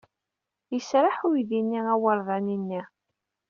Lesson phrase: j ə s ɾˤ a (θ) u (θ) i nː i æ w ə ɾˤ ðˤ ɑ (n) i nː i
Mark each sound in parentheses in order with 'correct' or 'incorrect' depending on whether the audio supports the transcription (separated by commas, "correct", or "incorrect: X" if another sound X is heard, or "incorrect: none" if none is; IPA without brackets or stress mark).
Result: incorrect: ħ, incorrect: ð, correct